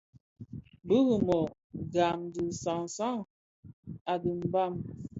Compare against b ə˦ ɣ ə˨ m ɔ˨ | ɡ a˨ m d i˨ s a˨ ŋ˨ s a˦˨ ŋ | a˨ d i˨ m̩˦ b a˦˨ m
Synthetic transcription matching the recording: b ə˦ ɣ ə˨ m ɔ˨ | ɡ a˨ m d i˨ s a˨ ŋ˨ s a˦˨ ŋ | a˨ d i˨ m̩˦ b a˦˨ m